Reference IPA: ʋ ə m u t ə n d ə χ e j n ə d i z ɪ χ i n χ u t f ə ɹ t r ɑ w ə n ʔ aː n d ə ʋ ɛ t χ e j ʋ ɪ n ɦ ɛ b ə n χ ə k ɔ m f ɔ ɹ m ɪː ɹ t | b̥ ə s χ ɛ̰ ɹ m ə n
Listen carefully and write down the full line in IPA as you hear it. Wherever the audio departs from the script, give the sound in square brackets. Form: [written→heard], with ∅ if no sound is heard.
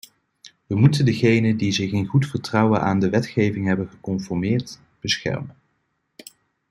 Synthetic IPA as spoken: ʋ ə m u t ə n d ə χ e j n ə d i z ɪ χ [i→ɪ] n χ u t f ə ɹ t r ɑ w ə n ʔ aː n d ə ʋ ɛ t χ e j [ʋ→v] ɪ [n→ŋ] ɦ ɛ b ə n χ ə k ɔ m f ɔ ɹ m ɪː ɹ t | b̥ ə s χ ɛ̰ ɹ m ə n